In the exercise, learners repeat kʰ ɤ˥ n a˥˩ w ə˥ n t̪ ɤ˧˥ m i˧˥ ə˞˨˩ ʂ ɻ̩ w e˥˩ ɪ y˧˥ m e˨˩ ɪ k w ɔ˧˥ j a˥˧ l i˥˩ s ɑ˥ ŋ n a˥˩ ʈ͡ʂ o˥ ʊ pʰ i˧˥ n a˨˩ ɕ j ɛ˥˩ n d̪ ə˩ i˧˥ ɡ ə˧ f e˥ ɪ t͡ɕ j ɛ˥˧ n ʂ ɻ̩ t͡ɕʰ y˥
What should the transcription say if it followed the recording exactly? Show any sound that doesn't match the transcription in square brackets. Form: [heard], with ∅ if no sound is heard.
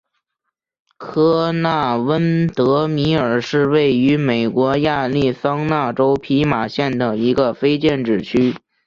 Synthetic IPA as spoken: kʰ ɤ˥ n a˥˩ w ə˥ n t̪ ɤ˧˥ m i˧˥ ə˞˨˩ ʂ ɻ̩ w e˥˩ ɪ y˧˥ m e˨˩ ɪ k w ɔ˧˥ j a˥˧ l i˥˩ s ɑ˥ ŋ n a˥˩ ʈ͡ʂ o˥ ʊ pʰ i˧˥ [m] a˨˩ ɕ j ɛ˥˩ n d̪ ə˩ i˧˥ ɡ ə˧ f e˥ ɪ t͡ɕ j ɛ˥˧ n [ʈ͡ʂ] ɻ̩ t͡ɕʰ y˥